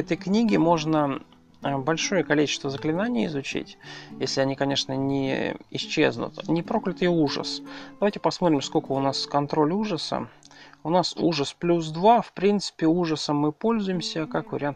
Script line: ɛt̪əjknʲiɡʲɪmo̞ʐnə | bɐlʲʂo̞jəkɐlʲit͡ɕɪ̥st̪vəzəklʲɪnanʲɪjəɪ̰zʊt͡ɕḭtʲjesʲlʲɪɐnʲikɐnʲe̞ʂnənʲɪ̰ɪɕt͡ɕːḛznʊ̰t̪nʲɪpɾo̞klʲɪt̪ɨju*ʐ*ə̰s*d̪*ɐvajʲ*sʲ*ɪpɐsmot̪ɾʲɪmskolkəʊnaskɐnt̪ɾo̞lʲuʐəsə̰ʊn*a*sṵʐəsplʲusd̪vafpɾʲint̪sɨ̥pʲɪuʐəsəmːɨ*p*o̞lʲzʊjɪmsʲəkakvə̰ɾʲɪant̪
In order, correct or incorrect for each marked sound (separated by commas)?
correct, correct, incorrect, correct, correct